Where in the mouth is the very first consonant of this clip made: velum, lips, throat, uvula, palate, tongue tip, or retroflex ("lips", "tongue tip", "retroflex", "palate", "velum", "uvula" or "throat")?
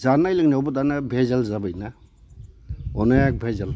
tongue tip